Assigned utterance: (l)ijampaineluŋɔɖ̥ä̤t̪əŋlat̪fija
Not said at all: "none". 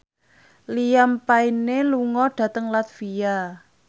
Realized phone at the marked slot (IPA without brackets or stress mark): l